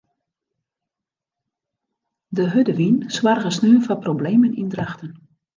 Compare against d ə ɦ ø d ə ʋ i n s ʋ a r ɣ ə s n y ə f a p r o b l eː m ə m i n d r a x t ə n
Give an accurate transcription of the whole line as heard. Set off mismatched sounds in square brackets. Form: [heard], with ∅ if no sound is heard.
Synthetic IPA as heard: d ə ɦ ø d ə ʋ i n s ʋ a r ɣ ə s n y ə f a p r o b l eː m ə [n] i n d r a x t ə n

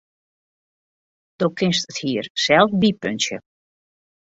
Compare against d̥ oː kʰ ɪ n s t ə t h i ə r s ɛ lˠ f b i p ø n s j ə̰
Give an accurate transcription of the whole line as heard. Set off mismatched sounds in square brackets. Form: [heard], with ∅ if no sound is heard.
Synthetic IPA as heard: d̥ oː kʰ ɪ n s t ə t h i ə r s ɛ lˠ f b i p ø n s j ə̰

